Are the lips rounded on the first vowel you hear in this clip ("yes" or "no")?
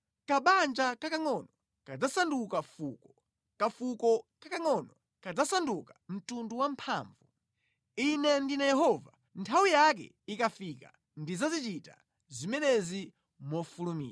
no